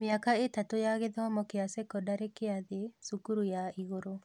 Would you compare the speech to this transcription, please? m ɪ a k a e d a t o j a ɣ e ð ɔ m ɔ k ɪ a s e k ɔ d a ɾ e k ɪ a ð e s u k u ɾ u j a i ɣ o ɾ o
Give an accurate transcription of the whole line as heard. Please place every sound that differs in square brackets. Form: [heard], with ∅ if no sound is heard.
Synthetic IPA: m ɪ a k a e [t] a t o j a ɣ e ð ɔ m ɔ k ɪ a s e k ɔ d a ɾ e k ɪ a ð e s u k u ɾ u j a i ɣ o ɾ o